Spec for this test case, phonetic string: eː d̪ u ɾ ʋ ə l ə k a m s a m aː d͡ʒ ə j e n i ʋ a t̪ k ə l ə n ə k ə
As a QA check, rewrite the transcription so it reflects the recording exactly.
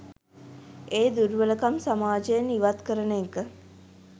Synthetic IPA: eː d̪ u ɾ ʋ ə l ə k a m s a m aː d͡ʒ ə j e n i ʋ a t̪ k ə ɾ ə n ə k ə

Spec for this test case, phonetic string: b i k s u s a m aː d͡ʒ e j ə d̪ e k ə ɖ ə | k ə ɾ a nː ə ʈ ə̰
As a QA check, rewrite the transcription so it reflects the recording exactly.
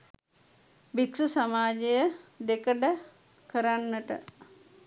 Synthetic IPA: b i k s u s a m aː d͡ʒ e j ə d̪ e k ə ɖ ə | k ə ɾ a nː ə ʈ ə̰

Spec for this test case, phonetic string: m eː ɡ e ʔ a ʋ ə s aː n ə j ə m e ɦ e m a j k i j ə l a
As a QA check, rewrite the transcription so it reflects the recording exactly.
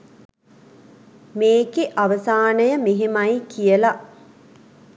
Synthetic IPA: m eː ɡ e ʔ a ʋ ə s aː n ə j ə m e ɦ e m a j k i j ə l a

